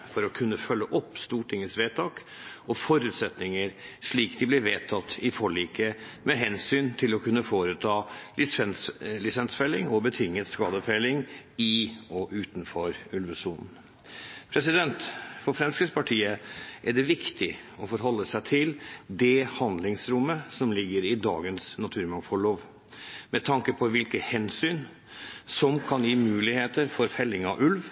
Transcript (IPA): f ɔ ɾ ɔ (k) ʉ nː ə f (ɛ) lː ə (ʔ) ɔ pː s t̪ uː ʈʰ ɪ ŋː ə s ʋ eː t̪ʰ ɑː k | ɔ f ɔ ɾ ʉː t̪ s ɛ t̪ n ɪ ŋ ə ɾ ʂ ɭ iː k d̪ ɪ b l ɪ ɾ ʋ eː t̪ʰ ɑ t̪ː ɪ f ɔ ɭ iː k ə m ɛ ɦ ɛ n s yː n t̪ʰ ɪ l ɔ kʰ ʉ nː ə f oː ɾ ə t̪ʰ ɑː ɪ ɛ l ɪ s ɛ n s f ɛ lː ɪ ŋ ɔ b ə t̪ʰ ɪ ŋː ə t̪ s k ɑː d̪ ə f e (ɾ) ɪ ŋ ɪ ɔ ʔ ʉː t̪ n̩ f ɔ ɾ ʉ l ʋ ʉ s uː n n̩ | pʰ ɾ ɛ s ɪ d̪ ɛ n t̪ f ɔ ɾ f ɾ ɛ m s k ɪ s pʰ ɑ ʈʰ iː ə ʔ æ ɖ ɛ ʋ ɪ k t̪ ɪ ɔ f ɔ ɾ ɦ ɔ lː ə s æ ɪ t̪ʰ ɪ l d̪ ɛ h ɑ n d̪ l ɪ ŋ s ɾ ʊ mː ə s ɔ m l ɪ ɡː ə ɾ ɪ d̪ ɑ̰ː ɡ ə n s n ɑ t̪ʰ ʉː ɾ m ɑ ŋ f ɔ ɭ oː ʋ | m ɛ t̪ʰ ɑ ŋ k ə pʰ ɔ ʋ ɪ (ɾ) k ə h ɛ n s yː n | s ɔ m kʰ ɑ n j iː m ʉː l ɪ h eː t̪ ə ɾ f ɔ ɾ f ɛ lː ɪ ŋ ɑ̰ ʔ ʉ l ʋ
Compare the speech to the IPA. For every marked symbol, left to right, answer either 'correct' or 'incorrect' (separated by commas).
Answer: incorrect, incorrect, correct, incorrect, incorrect